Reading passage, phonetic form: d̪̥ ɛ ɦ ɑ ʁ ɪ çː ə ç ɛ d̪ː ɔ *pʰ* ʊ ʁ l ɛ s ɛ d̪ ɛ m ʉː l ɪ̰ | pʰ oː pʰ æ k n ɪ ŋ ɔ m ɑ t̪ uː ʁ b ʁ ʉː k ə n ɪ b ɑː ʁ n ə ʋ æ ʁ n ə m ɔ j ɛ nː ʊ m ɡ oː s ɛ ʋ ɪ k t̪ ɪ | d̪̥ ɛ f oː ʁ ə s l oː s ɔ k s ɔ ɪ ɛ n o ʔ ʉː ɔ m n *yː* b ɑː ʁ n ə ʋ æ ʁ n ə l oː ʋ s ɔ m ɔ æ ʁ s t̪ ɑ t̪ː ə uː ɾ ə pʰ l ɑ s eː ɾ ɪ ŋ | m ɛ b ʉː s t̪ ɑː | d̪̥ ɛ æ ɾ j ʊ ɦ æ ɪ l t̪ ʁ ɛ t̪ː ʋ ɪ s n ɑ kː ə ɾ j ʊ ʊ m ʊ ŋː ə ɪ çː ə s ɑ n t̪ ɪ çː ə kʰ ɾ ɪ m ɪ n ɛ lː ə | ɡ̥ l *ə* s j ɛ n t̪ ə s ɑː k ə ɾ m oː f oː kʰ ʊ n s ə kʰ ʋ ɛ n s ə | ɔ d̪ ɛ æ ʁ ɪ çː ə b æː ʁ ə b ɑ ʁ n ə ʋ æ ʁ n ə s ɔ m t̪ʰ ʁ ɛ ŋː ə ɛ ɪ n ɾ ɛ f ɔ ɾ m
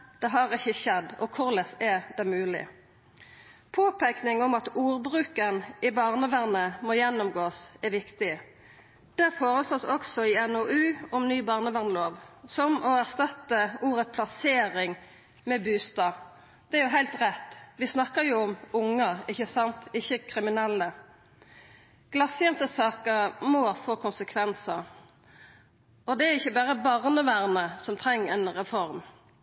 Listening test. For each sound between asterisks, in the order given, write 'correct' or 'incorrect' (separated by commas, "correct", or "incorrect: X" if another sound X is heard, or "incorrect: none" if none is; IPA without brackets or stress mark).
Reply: incorrect: kʰ, correct, incorrect: ɑ